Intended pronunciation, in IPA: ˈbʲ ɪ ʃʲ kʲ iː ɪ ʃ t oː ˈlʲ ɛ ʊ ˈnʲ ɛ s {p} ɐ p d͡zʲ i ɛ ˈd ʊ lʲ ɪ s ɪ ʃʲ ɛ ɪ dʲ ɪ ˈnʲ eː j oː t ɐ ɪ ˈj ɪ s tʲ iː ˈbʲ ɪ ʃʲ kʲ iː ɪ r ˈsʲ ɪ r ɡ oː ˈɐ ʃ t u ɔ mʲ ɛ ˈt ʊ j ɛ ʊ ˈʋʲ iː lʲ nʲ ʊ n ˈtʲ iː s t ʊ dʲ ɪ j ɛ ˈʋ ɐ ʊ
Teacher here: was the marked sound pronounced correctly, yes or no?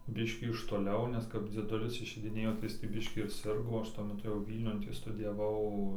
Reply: no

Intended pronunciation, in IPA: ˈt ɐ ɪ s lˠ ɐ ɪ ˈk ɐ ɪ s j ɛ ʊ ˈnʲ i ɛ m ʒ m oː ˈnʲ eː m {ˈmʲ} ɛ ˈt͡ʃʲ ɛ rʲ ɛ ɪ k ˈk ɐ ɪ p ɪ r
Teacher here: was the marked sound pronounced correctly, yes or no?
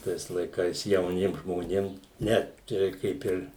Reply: no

